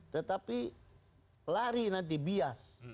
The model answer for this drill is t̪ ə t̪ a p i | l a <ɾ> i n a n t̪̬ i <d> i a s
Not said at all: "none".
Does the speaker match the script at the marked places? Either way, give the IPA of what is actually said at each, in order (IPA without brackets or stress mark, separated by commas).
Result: ɾ, b